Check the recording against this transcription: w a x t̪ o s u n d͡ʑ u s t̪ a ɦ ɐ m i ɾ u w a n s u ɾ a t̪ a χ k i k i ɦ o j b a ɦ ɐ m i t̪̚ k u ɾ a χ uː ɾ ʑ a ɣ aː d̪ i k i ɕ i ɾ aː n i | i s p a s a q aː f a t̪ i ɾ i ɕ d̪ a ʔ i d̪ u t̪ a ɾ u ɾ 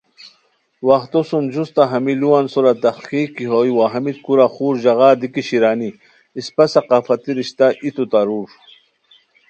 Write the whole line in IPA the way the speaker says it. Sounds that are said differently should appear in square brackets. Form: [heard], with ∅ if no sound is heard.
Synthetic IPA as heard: w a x t̪ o s u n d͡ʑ u s t̪ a ɦ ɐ m i [l] u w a n s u ɾ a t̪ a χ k i k i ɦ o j [w] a ɦ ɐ m i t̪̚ k u ɾ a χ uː ɾ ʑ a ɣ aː d̪ i k i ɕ i ɾ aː n i | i s p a s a q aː f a t̪ i ɾ i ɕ [t̪] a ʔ i [t̪] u t̪ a ɾ u ɾ